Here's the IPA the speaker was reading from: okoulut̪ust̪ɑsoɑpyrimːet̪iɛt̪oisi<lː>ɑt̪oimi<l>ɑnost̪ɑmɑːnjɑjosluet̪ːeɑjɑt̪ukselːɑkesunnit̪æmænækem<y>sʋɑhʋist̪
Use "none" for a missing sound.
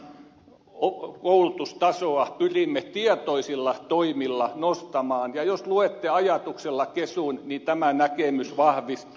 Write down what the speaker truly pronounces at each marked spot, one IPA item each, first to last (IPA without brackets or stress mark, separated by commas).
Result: lː, lː, y